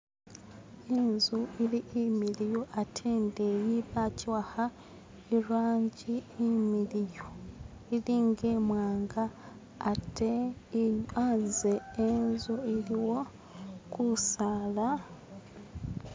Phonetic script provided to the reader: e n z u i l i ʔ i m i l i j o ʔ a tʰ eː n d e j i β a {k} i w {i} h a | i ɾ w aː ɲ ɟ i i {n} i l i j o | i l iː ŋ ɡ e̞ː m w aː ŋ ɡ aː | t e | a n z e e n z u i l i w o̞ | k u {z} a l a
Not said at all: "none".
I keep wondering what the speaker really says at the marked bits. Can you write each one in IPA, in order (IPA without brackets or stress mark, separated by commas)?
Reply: c, a, m, s